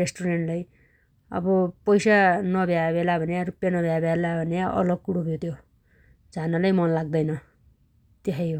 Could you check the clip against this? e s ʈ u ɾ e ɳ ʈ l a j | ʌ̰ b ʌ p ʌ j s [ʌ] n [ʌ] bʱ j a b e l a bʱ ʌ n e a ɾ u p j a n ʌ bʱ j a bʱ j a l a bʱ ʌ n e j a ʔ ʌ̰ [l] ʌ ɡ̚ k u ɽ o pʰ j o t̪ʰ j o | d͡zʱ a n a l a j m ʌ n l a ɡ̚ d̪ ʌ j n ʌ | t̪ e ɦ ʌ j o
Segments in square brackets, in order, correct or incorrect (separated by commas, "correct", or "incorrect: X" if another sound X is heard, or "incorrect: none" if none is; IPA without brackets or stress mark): incorrect: a, correct, correct